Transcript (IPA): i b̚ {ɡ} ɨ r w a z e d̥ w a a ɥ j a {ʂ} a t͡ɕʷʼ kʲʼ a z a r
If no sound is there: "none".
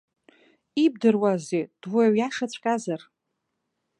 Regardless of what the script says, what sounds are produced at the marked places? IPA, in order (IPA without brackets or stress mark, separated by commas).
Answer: d, ʂ